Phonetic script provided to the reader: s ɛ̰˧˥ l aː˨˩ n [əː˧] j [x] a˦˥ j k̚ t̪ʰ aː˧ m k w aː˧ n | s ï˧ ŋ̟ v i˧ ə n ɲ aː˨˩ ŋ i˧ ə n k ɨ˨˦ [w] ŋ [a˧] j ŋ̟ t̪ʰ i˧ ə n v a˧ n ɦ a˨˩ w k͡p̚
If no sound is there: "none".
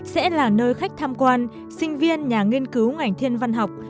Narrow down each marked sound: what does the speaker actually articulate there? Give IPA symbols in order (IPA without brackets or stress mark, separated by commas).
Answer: əː˧, x, w, a˨˩